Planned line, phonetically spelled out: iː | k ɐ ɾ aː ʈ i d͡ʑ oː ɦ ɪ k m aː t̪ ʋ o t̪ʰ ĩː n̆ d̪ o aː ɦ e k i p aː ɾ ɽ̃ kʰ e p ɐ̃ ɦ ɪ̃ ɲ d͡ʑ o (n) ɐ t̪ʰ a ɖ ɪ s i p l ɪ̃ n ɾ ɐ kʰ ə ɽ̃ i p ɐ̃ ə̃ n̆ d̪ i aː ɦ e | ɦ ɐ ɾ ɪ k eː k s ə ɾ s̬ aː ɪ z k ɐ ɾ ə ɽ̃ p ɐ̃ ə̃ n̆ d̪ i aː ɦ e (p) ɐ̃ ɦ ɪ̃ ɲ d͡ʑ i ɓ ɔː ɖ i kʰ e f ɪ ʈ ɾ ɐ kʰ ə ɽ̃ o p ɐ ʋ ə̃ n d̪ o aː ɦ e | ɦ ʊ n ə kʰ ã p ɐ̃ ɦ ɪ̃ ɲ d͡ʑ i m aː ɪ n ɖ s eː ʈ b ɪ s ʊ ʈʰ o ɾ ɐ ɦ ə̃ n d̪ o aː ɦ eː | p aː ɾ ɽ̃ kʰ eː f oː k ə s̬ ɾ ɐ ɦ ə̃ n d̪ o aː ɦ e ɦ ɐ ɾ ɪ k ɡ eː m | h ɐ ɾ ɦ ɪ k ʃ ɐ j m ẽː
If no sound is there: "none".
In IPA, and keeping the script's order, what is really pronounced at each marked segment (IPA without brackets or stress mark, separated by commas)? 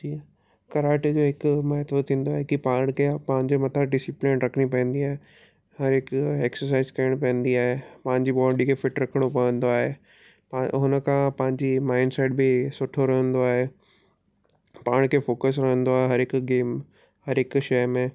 m, p